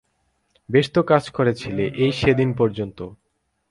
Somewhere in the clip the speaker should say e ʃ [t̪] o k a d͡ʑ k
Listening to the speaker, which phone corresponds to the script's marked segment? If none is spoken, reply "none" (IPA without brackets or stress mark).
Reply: t̪